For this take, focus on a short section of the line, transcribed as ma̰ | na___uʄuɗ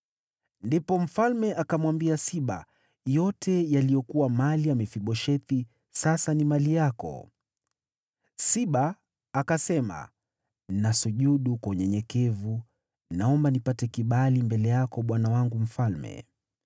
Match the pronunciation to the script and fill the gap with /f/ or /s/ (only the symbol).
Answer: s